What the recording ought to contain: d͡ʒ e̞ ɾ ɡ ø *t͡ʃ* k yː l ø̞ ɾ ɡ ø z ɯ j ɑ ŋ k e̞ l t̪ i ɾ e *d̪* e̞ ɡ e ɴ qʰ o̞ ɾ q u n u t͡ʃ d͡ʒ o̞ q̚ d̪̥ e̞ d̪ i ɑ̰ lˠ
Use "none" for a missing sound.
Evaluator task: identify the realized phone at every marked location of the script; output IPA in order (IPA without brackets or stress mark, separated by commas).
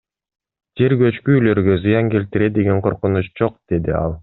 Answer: t͡ʃ, d̪